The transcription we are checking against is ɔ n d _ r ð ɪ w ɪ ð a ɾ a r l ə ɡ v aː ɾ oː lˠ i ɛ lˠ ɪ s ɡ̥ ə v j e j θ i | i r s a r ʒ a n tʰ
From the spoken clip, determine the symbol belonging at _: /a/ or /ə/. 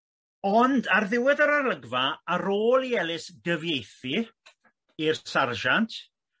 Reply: a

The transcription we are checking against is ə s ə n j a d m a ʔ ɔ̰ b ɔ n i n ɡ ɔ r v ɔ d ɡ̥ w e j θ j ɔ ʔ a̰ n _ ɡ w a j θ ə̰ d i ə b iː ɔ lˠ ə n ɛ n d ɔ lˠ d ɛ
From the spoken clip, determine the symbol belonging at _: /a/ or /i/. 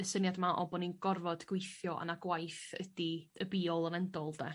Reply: a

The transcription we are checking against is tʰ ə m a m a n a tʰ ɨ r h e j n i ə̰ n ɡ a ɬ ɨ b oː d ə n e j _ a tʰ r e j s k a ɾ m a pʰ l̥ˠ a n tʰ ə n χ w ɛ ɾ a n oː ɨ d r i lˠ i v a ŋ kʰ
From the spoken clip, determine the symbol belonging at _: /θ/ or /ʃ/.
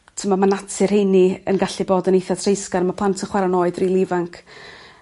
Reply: θ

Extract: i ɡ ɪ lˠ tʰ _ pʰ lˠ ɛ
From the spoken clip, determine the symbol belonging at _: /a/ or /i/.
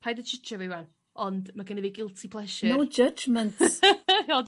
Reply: i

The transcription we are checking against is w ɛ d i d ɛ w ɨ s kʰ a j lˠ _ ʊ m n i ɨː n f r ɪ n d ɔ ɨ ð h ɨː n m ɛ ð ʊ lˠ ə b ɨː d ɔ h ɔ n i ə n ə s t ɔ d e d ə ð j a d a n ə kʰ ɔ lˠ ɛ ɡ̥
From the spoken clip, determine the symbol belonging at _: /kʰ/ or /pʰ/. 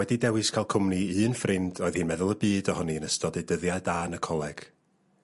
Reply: kʰ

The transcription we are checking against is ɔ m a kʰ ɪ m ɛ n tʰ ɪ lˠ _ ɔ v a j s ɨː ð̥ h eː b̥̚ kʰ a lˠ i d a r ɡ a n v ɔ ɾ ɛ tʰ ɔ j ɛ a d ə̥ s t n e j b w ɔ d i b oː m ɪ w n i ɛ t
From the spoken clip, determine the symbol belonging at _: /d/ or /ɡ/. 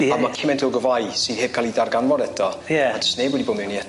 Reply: ɡ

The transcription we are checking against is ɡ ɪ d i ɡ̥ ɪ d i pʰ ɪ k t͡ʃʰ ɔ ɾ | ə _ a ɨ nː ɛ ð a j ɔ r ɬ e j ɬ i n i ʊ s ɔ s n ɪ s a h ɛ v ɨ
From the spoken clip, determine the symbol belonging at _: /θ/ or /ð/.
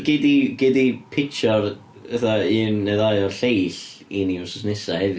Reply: θ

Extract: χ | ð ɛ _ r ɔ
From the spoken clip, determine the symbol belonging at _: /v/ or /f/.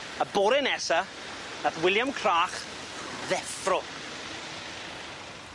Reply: f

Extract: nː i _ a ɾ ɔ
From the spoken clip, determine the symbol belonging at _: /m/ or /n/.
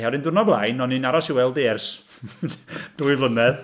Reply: n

